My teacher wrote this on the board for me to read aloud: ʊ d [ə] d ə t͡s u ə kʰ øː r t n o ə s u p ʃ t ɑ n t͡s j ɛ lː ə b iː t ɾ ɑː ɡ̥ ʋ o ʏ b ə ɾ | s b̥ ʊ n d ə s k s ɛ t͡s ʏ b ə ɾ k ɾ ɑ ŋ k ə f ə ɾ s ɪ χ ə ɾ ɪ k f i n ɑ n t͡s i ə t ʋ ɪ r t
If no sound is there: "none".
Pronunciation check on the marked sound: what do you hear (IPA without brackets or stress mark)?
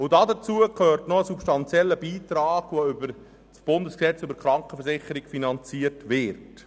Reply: ɑ